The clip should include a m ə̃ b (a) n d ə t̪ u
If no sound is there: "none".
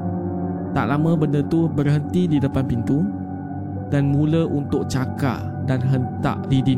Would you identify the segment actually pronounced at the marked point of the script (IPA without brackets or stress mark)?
ə